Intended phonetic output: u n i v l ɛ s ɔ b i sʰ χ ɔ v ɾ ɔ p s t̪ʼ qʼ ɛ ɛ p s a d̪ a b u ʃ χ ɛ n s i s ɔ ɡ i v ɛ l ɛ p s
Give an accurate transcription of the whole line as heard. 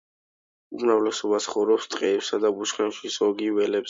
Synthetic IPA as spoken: u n a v l ɛ s ɔ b a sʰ χ ɔ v ɾ ɔ p s t̪ʼ qʼ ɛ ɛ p s a d̪ a b u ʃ χ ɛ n ʃ i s ɔ ɡ i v ɛ l ɛ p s